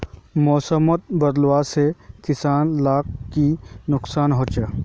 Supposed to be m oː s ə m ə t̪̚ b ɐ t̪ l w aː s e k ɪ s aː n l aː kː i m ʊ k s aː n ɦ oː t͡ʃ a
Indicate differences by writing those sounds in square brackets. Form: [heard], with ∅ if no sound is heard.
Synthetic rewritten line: m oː s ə m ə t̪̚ b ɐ [d̪] l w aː s e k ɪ s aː n l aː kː i [n] ʊ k s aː n ɦ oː t͡ʃ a